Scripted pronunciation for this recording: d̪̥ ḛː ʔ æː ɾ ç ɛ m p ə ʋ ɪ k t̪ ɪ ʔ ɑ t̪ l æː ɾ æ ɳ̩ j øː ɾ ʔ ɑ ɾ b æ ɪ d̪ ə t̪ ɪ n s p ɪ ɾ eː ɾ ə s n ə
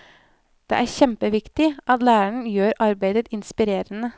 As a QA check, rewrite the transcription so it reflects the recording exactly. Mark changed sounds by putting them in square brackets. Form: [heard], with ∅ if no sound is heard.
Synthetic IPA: d̪̥ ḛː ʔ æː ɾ ç ɛ m p ə ʋ ɪ k t̪ ɪ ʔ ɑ t̪ l æː ɾ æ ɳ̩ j øː ɾ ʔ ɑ ɾ b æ ɪ d̪ ə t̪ ɪ n s p ɪ ɾ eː ɾ ə [∅] n ə